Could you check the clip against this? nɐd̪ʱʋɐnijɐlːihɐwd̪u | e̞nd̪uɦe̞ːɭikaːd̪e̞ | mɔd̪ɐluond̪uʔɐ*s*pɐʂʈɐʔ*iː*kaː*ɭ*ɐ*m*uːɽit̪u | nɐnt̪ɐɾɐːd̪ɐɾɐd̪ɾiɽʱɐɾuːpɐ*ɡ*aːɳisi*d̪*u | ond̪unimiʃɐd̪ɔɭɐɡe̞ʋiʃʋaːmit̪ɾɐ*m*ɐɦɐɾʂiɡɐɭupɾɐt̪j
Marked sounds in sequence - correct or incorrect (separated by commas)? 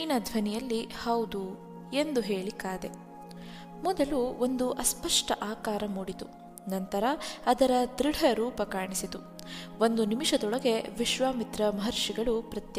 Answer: correct, incorrect, incorrect, correct, incorrect, incorrect, correct